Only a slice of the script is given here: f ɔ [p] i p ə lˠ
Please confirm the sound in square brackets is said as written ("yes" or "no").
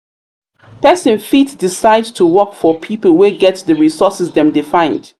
no